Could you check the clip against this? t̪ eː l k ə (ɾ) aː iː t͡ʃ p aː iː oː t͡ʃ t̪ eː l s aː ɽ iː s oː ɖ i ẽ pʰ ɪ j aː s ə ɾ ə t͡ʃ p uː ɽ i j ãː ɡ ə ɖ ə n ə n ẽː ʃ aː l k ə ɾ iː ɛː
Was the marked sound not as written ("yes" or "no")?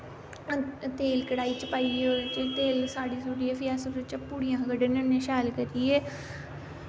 yes